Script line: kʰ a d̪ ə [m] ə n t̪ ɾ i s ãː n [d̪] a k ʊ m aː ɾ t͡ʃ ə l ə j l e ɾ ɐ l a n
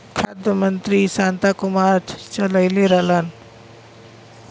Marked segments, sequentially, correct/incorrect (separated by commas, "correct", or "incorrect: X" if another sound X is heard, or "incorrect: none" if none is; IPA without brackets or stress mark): correct, incorrect: t̪